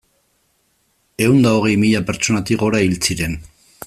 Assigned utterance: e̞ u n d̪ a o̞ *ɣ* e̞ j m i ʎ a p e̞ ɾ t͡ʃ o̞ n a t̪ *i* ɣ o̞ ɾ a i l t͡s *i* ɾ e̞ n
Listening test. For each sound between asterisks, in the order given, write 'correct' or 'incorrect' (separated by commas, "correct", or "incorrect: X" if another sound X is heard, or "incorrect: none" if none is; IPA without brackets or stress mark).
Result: correct, correct, correct